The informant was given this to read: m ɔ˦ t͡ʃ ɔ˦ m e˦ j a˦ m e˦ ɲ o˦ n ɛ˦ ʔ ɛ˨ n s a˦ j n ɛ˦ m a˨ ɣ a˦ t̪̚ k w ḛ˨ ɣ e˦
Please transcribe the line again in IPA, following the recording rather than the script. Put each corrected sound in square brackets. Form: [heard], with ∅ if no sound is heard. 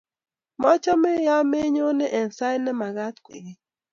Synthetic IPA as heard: m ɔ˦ t͡ʃ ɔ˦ m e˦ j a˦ m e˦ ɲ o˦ n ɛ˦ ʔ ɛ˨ n s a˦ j n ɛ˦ m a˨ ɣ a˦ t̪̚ k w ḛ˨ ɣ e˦